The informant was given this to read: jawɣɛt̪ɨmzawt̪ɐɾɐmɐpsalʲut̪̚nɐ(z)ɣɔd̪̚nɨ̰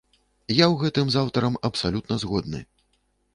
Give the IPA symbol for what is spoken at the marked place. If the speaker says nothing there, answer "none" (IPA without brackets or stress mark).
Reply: z